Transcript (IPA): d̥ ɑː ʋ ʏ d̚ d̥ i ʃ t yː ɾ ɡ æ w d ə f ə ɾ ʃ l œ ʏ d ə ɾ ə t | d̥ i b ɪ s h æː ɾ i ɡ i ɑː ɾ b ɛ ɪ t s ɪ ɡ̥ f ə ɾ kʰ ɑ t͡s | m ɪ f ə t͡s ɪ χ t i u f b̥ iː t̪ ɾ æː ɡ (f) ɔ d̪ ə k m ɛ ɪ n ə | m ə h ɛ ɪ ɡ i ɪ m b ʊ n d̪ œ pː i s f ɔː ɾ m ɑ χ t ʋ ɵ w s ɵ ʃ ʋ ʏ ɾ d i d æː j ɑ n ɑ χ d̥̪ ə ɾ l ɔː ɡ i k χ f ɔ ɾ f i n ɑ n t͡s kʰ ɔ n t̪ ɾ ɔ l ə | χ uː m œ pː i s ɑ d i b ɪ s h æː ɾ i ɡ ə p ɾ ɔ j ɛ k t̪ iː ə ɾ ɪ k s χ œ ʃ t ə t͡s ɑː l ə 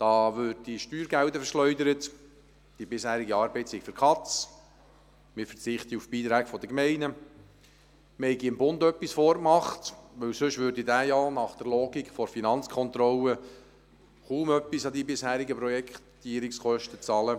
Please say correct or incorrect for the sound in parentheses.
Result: correct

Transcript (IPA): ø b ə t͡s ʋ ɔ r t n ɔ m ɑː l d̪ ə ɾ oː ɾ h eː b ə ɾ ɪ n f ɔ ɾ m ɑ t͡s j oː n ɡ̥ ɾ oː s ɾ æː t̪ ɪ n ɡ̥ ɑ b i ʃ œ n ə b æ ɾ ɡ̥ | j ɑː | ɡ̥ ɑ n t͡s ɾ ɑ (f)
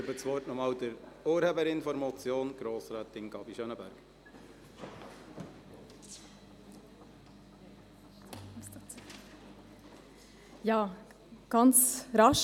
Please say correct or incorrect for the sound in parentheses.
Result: incorrect: ʃ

